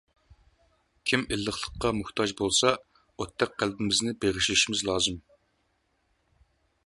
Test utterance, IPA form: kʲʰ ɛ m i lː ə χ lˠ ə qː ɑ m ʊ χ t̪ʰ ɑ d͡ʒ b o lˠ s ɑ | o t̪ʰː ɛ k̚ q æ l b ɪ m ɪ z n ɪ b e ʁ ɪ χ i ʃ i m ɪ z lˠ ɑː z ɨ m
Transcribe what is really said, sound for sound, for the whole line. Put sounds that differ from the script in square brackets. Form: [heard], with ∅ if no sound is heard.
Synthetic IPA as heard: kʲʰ [i] m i lː ə χ lˠ ə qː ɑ m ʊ [h] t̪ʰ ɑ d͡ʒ b o lˠ s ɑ | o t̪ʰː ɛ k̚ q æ l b ɪ m ɪ z n ɪ b e ʁ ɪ [ʃ] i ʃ i m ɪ z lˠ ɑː z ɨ m